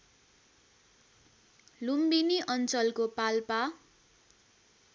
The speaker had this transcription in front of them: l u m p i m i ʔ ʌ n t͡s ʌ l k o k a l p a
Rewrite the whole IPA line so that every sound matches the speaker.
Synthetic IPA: l u m b i n i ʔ ʌ n t͡s ʌ l k o p a l p a